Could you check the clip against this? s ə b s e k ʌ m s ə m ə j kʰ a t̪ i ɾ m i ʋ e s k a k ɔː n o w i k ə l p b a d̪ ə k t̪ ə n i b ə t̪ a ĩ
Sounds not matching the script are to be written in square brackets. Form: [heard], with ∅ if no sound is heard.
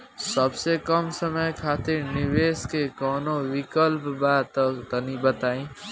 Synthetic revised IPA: s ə b s e k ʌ m s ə m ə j kʰ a t̪ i ɾ [n] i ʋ e s k [e] k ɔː n o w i k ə l p b a [t̪] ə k t̪ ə n i b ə t̪ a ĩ